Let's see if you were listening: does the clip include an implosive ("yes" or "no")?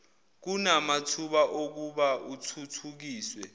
yes